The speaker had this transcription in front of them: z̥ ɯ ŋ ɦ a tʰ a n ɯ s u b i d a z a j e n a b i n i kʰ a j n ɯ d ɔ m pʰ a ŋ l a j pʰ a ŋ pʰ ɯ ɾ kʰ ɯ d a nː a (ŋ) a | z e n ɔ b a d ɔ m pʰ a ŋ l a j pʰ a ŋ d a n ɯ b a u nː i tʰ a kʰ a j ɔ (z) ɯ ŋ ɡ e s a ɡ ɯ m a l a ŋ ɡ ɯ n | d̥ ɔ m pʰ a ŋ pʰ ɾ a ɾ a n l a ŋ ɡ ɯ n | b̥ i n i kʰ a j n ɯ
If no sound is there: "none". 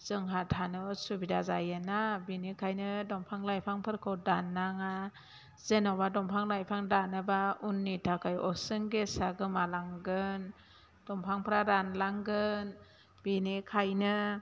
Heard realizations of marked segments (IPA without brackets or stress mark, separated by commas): ŋ, s